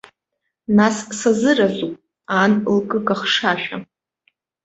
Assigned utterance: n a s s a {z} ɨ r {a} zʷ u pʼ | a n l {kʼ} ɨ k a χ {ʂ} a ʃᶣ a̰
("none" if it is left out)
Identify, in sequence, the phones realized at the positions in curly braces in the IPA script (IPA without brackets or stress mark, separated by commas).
z, a, kʼ, ʂ